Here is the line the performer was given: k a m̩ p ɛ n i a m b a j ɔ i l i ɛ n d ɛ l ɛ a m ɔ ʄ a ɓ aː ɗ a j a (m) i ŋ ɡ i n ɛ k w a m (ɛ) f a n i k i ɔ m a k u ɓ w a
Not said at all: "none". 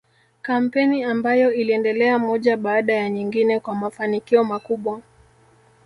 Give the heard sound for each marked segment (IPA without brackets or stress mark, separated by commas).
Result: ɲ, a